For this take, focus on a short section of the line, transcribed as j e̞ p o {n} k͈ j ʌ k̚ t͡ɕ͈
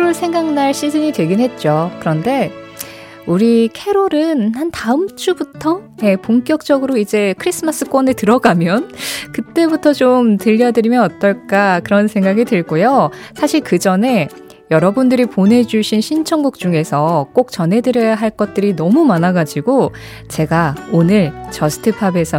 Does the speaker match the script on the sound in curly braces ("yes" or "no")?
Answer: no